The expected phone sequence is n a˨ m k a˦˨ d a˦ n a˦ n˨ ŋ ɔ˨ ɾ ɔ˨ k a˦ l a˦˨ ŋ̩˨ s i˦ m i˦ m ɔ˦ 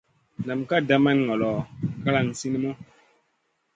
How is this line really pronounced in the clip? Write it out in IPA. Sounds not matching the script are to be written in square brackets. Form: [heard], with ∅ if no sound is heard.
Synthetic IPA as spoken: n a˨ m k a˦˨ d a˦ [m] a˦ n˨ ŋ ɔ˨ [l] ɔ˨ k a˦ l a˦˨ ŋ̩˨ s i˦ [n] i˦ m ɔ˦